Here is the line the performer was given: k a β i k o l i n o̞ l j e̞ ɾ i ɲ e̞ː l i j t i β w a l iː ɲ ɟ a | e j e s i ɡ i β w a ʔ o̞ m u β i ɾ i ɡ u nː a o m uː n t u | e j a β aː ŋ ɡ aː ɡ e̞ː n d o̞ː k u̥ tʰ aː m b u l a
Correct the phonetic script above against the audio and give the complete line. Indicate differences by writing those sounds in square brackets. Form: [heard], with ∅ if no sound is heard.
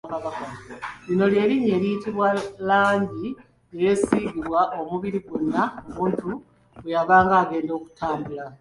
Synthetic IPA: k a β [a] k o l i n o̞ l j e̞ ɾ i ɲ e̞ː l i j t i β w a l [aː] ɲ ɟ [i] | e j e s i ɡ i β w a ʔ o̞ m u β i ɾ i ɡ u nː a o m uː n t u | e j a β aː ŋ ɡ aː ɡ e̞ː n d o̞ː k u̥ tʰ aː m b u l a